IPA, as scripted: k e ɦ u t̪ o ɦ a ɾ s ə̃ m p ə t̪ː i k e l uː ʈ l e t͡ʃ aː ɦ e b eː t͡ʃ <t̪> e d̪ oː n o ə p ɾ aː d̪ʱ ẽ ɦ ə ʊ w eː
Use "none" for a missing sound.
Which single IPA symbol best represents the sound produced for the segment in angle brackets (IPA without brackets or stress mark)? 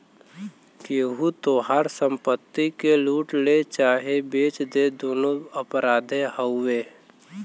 d̪